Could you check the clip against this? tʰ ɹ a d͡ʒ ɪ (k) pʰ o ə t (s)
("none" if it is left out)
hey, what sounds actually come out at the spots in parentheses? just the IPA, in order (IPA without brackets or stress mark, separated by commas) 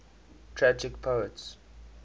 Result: k, s